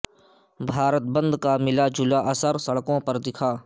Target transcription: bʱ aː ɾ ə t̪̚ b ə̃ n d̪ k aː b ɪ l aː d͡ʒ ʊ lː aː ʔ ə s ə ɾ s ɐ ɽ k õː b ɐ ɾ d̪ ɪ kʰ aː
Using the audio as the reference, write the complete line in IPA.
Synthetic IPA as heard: bʱ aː ɾ ə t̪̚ b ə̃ n d̪ k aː m ɪ l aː d͡ʒ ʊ l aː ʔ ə s ə ɾ s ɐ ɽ k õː p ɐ ɾ d̪ ɪ kʰ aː